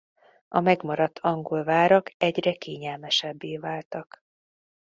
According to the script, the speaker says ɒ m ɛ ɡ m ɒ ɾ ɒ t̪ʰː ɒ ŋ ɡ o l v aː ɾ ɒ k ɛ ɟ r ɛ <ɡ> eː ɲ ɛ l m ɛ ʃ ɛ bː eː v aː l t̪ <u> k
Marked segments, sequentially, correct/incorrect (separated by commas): incorrect, incorrect